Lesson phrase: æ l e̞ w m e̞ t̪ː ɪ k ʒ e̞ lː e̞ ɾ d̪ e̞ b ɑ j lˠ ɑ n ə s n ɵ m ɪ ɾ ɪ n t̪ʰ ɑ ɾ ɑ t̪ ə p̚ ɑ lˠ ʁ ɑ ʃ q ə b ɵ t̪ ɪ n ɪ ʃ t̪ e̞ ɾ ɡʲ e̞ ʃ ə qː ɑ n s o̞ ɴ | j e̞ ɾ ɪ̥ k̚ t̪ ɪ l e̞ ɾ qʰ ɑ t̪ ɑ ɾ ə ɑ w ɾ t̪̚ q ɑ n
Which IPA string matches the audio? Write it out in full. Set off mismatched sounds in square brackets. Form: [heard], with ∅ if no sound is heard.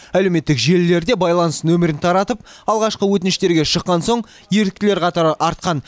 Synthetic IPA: æ l e̞ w m e̞ t̪ː ɪ k ʒ e̞ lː e̞ ɾ d̪ e̞ b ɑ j lˠ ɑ n ə s n ɵ m ɪ ɾ ɪ n t̪ʰ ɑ ɾ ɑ t̪ ə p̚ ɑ lˠ ʁ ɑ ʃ q ə [w] ɵ t̪ ɪ n ɪ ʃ t̪ e̞ ɾ ɡʲ e̞ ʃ ə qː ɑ n s o̞ ɴ | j e̞ ɾ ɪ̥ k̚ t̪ ɪ l e̞ ɾ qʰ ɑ t̪ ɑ ɾ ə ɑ [∅] ɾ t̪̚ q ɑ n